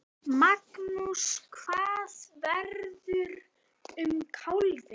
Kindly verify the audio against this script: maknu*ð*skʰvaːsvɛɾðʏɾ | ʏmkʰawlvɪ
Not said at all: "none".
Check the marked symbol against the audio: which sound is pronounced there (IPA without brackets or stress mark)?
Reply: none